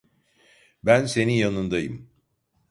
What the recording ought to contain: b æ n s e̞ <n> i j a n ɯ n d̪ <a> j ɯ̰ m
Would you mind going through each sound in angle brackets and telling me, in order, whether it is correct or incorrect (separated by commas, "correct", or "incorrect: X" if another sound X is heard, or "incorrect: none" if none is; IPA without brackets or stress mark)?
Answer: correct, correct